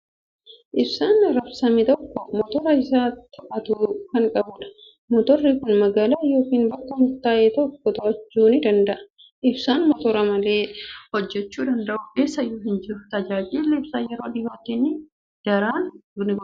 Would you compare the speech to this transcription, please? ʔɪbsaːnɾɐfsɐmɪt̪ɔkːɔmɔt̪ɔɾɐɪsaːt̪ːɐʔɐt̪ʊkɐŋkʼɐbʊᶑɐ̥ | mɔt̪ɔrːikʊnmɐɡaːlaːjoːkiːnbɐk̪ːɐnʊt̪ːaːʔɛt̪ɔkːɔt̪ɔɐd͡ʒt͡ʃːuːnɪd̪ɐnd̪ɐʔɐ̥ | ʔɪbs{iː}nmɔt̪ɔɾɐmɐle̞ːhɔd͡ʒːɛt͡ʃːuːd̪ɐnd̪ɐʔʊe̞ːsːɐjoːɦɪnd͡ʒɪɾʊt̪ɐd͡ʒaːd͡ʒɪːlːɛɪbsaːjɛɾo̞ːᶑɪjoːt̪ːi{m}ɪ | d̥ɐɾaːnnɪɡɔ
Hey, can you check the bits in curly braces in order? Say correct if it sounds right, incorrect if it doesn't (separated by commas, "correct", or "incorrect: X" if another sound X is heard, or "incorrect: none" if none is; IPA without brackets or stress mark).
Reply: incorrect: aː, incorrect: n